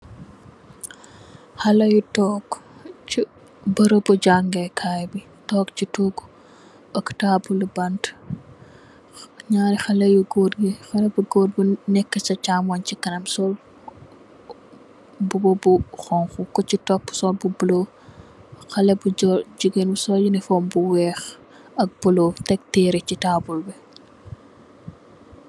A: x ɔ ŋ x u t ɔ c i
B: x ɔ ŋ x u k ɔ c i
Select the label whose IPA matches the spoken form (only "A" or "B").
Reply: B